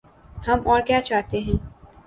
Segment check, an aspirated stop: absent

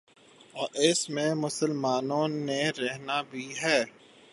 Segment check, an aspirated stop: absent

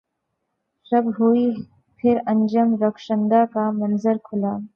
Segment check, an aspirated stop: present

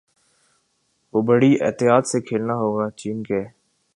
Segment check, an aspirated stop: present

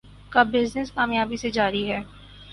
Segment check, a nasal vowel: absent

